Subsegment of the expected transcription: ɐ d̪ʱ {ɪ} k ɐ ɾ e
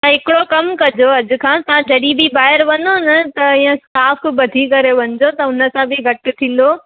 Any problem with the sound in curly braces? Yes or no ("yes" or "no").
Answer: yes